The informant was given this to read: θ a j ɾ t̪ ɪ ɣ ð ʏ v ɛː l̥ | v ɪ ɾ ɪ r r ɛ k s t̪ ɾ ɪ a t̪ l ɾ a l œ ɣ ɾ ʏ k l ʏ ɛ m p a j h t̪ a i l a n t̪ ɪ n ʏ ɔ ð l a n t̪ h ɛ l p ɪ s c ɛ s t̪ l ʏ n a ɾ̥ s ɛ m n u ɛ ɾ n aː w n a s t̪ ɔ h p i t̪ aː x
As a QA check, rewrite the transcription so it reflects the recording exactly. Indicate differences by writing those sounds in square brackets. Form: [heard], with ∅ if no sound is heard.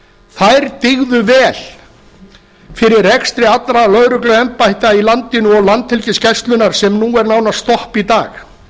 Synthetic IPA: θ a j ɾ t̪ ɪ ɣ ð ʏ v ɛː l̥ | [f] ɪ ɾ ɪ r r ɛ k s t̪ ɾ ɪ a t̪ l ɾ a l œ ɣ ɾ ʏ k l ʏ ɛ m p a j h t̪ a i l a n t̪ ɪ n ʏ ɔ [ɣ] l a n t̪ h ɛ l [c] ɪ s c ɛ s t̪ l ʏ n a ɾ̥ s ɛ m n u ɛ ɾ n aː w n a s t̪ ɔ h p i t̪ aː x